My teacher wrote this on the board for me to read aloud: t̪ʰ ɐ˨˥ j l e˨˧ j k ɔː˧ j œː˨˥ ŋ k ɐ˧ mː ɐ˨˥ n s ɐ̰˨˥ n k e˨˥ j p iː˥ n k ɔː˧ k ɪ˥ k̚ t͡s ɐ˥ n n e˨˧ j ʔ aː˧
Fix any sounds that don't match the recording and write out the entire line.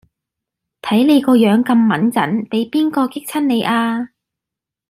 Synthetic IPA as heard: t̪ʰ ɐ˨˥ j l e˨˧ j k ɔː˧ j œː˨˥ ŋ k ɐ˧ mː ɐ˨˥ n t͡s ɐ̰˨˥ n p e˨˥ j p iː˥ n k ɔː˧ k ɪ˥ k̚ t͡sʰ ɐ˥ n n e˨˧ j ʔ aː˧